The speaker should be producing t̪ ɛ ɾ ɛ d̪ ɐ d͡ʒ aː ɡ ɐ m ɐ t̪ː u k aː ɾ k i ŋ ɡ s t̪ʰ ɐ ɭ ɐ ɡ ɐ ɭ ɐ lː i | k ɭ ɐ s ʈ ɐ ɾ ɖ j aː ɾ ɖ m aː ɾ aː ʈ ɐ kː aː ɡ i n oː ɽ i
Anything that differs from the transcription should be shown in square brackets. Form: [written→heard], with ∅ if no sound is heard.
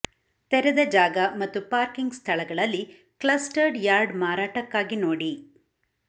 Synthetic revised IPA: t̪ ɛ ɾ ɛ d̪ ɐ d͡ʒ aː ɡ ɐ m ɐ t̪ː u [k→p] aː ɾ k i ŋ ɡ s t̪ʰ ɐ ɭ ɐ ɡ ɐ ɭ ɐ lː i | k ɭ ɐ s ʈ ɐ ɾ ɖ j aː ɾ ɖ m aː ɾ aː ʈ ɐ kː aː ɡ i n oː ɽ i